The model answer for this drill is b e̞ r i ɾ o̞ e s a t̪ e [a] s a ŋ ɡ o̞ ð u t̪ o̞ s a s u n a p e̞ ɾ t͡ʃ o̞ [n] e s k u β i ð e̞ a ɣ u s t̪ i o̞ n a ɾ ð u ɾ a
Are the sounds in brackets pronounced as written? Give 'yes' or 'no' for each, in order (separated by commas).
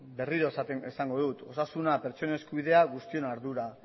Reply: no, yes